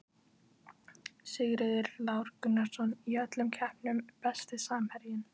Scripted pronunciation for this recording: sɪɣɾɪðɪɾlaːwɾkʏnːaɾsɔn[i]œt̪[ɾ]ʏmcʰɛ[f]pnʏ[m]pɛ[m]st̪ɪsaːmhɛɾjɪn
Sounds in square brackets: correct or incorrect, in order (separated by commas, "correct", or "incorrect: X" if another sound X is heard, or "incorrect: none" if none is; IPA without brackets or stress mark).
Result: correct, incorrect: l, incorrect: h, correct, incorrect: none